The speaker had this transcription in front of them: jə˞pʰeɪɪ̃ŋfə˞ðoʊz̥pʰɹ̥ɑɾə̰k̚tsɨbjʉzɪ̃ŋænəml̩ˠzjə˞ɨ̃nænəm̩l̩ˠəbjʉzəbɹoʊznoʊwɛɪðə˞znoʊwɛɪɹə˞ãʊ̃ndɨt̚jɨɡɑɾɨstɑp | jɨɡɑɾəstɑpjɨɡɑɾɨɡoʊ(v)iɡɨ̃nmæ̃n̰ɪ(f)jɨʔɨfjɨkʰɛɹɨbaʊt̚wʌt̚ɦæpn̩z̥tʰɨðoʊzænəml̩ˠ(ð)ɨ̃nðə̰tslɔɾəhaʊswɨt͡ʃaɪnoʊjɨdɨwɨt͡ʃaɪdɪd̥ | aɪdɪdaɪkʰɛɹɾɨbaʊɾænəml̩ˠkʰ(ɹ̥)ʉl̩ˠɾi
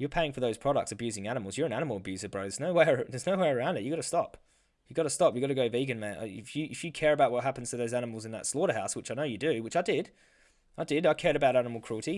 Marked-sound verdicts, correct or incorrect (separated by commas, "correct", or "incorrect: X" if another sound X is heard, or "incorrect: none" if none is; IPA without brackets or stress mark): correct, correct, incorrect: z, correct